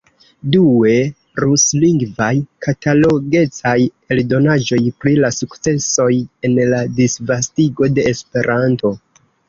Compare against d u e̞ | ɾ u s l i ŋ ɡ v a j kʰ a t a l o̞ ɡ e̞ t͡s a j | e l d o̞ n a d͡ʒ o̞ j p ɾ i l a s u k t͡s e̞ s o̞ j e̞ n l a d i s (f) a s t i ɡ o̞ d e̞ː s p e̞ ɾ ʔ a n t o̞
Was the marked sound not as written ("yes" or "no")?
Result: yes